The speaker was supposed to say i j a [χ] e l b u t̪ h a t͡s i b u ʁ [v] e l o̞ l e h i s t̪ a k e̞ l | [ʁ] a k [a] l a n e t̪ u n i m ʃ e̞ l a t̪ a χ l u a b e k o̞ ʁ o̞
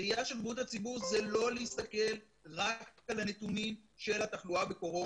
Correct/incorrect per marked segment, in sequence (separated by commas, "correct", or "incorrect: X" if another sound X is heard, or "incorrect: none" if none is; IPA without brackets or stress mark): incorrect: ʃ, incorrect: z, correct, correct